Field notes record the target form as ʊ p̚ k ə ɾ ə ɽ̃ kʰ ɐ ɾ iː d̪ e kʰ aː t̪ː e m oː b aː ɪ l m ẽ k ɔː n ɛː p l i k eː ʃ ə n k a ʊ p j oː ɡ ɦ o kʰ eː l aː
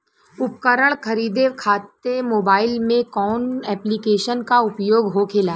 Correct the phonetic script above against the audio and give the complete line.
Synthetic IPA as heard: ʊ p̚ k ə ɾ ə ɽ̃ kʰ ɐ ɾ iː d̪ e kʰ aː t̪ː e m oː b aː ɪ l m ẽ k ɔː n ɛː p l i k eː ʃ ə n k a ʊ p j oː ɡ ɦ o kʰ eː l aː